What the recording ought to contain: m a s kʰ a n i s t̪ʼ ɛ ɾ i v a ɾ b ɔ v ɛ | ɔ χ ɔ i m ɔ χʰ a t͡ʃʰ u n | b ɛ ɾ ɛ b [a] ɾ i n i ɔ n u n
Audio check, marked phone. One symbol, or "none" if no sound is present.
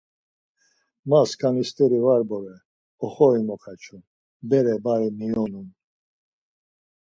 a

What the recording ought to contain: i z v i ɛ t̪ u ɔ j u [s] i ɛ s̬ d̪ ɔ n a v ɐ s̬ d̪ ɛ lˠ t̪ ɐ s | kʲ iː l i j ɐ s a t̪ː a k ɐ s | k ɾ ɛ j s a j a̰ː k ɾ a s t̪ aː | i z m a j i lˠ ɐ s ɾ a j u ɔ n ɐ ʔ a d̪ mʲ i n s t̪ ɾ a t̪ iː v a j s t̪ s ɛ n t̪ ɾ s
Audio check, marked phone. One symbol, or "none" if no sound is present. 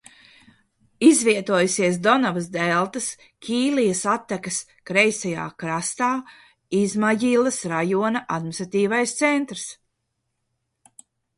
s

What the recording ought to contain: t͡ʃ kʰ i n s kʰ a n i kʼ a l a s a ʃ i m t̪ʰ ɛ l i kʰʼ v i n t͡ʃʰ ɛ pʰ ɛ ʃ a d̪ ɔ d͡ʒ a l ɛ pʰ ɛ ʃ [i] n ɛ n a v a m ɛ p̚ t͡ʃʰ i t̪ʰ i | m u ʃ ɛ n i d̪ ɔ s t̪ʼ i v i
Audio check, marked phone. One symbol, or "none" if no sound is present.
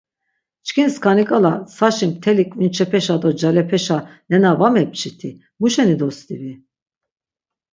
a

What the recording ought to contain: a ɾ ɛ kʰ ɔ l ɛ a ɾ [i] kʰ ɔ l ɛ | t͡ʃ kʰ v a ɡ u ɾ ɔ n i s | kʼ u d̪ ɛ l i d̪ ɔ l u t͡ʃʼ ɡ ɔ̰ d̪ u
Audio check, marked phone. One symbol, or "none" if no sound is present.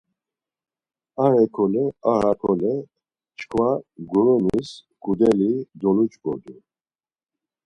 a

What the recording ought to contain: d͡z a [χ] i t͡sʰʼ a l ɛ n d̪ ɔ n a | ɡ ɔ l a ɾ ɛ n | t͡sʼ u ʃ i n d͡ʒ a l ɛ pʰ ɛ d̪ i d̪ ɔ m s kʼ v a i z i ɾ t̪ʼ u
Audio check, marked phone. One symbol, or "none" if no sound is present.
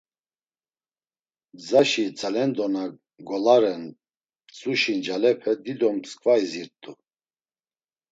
ʃ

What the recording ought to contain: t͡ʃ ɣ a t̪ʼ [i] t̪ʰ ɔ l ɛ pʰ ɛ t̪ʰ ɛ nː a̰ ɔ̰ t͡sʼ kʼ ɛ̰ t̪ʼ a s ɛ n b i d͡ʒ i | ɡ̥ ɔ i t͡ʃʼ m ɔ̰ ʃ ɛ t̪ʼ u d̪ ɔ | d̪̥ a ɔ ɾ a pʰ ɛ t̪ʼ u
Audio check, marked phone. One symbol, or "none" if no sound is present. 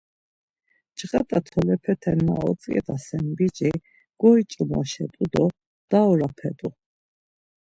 a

